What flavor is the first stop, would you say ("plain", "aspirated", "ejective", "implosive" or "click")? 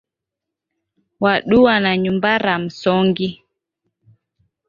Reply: implosive